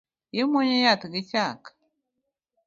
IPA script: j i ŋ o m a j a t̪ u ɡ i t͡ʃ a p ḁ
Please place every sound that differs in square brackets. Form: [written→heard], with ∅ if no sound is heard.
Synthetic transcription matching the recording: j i [ŋ→m] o [m→ɲ] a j a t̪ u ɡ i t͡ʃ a [p→k] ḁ